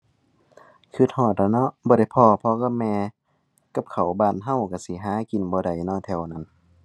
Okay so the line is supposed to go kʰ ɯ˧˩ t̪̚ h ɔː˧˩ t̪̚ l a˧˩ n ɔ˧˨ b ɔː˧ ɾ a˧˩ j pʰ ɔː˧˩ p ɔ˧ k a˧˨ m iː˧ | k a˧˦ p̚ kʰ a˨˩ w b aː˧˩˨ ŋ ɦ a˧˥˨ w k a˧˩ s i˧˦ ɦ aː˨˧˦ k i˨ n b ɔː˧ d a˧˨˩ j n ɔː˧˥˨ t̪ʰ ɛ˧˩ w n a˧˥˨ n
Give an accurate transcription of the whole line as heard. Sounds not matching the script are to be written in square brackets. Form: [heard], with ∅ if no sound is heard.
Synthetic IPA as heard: kʰ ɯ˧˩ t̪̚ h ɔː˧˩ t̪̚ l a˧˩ n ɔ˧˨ b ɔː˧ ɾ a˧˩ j pʰ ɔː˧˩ [pʰ] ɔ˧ k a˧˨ m [ɛː˧] | k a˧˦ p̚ kʰ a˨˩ w b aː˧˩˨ [n] ɦ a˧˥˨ w k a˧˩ s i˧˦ ɦ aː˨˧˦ k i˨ n b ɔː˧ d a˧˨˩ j n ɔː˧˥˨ t̪ʰ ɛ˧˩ w n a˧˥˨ n